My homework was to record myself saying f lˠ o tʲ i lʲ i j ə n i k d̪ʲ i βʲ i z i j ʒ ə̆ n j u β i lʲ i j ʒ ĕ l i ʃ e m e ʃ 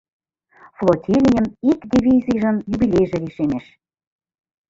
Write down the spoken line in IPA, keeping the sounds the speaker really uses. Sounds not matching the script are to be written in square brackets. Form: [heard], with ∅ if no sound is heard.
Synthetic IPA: f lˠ o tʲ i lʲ i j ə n i k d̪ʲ i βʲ i z i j ʒ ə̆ n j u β i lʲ [e] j ʒ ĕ l i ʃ e m e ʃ